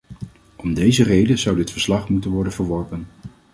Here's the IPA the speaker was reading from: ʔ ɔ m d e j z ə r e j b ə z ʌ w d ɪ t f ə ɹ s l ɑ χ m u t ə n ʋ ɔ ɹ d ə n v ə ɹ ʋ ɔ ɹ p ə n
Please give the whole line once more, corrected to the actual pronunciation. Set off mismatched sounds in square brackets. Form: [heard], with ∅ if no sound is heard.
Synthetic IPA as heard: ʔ ɔ m d e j z ə r e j [d] ə z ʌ w d ɪ t f ə ɹ s l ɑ χ m u t ə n ʋ ɔ ɹ d ə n v ə ɹ ʋ ɔ ɹ p ə n